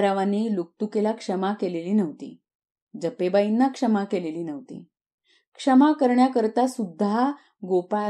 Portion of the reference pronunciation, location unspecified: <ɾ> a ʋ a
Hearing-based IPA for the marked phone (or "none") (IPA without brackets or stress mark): ɾ